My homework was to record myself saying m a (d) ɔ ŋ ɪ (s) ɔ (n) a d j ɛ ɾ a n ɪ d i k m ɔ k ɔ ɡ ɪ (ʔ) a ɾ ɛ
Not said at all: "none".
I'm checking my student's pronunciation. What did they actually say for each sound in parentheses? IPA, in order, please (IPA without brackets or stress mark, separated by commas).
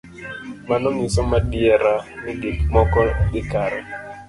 n, s, m, k